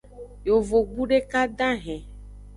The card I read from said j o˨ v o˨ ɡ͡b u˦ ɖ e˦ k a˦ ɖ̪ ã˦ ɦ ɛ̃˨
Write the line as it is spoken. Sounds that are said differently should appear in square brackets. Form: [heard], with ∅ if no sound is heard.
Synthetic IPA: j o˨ v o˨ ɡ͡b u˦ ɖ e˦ k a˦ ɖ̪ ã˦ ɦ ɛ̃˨